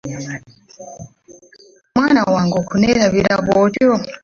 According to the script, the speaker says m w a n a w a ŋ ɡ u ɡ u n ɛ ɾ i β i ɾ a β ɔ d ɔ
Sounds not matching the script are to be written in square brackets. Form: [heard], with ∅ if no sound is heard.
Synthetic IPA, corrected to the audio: m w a n a w a ŋ ɡ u [k] u n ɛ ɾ [a] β i ɾ a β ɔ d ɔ